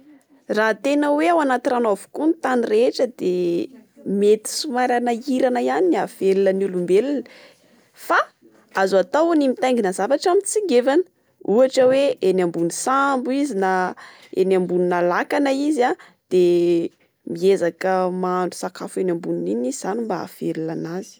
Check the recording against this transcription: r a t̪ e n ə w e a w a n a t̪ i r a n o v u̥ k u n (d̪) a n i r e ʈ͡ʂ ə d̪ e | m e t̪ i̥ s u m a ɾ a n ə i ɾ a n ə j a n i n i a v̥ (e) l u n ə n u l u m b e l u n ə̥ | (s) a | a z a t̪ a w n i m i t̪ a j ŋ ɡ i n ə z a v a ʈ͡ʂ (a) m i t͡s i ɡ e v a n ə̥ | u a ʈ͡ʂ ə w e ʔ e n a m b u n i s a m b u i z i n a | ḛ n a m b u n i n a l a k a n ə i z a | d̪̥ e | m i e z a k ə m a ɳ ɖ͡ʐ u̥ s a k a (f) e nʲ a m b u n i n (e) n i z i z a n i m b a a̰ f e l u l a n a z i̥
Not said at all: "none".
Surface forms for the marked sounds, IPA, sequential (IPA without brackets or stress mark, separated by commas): t̪, e, f, a, f, i